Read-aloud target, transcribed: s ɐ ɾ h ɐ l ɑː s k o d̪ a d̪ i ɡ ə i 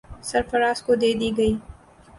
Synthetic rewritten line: s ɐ ɾ f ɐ ɾ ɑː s k o d̪ e d̪ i ɡ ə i